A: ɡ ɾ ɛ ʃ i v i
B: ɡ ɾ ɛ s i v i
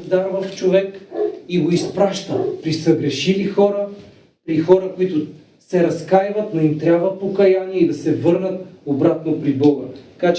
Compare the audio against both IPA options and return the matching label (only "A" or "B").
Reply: A